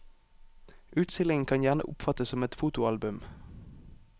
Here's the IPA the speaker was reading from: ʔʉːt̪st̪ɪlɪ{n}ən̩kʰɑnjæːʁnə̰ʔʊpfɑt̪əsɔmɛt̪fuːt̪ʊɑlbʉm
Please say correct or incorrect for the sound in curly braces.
incorrect